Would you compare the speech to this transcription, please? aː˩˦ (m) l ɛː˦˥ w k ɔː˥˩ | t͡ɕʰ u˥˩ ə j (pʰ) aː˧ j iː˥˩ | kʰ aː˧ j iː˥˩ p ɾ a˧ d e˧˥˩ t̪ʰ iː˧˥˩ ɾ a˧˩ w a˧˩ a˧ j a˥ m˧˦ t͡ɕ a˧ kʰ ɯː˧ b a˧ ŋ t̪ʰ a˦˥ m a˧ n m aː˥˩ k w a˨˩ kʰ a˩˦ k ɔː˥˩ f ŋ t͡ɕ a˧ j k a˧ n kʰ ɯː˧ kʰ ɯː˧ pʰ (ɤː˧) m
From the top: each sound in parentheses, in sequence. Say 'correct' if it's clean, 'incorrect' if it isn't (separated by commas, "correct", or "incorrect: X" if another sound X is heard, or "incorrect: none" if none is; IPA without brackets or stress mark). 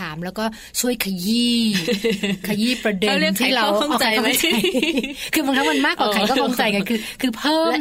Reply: correct, incorrect: kʰ, incorrect: ɤː˥˩˦